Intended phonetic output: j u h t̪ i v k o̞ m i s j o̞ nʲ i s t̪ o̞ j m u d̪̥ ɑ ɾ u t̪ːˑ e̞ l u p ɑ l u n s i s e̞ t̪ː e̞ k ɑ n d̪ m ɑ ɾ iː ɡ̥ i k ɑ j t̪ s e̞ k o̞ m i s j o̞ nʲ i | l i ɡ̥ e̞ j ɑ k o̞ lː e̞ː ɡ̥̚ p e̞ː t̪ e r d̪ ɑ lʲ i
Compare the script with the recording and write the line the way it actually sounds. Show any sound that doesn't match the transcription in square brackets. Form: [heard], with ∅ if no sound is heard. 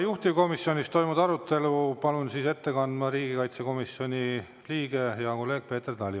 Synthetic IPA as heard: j u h t̪ i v k o̞ m i s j o̞ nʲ i s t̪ o̞ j m u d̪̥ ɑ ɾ u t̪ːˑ e̞ l u p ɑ l u n s i s e̞ t̪ː e̞ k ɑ n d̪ m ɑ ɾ iː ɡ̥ i k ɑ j t̪ s e̞ k o̞ m i s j o̞ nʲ i | l [iː] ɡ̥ e̞ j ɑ k o̞ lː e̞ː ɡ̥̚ p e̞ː t̪ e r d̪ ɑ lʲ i